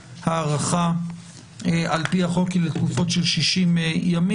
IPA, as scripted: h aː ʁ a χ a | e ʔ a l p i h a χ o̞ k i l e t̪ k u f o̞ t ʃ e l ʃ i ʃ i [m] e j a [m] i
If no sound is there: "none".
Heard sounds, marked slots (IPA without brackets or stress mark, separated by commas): m, m